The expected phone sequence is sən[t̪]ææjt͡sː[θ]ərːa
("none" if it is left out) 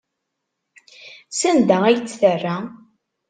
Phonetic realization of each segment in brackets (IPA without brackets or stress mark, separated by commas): d̪, θ